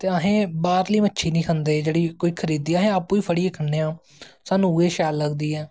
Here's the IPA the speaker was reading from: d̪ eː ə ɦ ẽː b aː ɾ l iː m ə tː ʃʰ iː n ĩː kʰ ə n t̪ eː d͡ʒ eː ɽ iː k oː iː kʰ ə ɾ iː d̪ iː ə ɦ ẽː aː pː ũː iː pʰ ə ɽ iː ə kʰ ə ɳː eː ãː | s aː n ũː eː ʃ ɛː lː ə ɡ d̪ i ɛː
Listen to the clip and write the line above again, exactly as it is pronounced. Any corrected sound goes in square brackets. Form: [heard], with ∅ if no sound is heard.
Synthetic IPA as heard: [t̪] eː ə ɦ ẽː b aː ɾ l iː m ə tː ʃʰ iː n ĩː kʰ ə n [d̪] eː d͡ʒ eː ɽ iː k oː iː kʰ ə ɾ iː d̪ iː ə ɦ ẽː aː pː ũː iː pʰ ə ɽ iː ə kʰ ə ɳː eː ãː | s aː n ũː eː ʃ [aː] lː ə ɡ d̪ [iː] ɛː